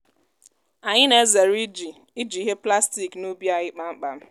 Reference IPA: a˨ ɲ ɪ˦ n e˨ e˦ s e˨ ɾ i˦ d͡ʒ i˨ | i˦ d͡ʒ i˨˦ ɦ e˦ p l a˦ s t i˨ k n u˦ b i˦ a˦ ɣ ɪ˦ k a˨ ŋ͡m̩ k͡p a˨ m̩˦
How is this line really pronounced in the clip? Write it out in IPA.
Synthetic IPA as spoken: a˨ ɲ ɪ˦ n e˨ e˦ z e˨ ɾ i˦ d͡ʒ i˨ | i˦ d͡ʒ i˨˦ ɦ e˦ p l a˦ s t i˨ k n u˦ b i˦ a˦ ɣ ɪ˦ k͡p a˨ ŋ͡m̩ k͡p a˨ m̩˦